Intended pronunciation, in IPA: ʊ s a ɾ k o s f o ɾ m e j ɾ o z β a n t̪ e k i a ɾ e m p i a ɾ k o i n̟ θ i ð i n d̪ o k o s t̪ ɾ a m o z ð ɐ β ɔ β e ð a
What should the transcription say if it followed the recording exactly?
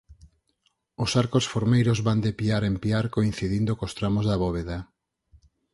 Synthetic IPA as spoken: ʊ s a ɾ k o s f o ɾ m e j ɾ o z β a n d̪ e p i a ɾ e m p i a ɾ k o i n̟ θ i ð i n d̪ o k o s t̪ ɾ a m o z ð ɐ β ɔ β e ð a